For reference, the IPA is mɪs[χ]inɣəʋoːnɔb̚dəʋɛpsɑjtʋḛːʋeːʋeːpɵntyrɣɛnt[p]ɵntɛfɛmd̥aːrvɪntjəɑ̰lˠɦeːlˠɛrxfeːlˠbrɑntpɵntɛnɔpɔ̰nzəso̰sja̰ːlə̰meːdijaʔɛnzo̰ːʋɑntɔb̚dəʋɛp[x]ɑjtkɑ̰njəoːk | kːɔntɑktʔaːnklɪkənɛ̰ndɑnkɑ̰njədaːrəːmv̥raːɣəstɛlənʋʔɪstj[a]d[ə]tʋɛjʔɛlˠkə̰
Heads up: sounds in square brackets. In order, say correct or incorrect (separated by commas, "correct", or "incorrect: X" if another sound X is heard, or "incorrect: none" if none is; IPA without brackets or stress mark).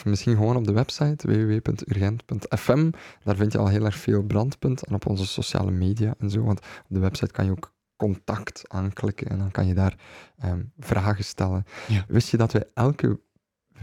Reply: incorrect: x, correct, incorrect: s, incorrect: ə, incorrect: ɑ